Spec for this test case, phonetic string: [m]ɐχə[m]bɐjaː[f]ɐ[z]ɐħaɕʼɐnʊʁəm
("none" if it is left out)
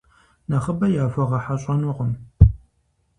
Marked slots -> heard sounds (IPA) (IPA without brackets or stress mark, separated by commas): n, none, f, ʁ